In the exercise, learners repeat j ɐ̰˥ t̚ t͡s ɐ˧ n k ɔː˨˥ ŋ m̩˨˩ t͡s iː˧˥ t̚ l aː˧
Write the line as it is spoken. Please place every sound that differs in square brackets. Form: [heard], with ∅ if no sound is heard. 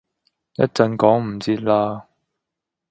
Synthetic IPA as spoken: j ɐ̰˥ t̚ t͡s ɐ˧ n k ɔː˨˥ ŋ m̩˨˩ t͡s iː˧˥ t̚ l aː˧